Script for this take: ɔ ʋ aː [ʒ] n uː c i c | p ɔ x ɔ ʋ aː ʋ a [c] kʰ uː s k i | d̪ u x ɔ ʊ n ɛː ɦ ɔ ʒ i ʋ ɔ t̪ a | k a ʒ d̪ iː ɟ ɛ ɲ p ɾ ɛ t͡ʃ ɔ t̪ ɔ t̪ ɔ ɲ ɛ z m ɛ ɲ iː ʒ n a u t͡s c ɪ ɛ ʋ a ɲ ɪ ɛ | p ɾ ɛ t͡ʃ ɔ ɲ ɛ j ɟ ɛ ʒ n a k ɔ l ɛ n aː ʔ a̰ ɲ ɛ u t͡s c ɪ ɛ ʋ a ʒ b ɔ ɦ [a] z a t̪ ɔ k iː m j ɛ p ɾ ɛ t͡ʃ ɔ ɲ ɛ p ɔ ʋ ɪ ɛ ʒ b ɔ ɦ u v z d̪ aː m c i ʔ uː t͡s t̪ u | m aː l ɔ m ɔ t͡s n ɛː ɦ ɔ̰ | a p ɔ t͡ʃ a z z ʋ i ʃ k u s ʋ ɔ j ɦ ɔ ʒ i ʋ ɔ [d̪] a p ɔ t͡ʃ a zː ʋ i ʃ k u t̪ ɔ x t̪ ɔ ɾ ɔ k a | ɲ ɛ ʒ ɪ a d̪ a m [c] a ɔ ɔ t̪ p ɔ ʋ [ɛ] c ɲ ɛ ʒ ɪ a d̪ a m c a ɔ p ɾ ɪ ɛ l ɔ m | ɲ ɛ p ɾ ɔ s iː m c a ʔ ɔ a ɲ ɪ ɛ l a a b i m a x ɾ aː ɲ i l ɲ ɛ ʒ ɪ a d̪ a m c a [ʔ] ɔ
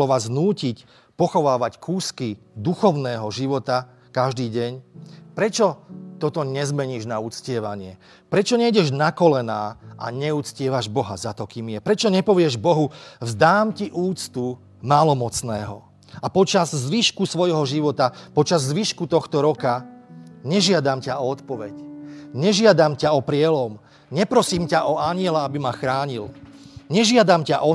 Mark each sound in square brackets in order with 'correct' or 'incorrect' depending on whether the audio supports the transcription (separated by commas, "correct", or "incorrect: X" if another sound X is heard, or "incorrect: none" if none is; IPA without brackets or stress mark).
incorrect: z, correct, correct, incorrect: t̪, correct, correct, correct